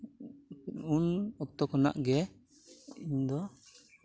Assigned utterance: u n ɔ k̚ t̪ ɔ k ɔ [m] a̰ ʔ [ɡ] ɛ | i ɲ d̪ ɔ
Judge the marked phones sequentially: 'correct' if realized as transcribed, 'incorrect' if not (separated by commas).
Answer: incorrect, correct